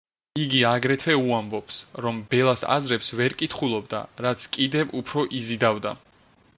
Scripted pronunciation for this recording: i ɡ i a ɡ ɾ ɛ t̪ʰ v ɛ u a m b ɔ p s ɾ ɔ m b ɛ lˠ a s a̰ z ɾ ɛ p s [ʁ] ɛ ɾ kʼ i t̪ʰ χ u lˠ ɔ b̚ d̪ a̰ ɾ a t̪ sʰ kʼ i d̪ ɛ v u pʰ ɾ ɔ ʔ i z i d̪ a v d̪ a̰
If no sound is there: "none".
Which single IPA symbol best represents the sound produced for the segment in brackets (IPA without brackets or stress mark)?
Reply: v